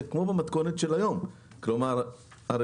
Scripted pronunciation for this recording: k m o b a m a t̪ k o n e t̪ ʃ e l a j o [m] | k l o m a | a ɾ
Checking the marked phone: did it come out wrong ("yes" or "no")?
no